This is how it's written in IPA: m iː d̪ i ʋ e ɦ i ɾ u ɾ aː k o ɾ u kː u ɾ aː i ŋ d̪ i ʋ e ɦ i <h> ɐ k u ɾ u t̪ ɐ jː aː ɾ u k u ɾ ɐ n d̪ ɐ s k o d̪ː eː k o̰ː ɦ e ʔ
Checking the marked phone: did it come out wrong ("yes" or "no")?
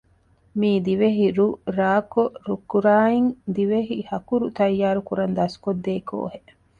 no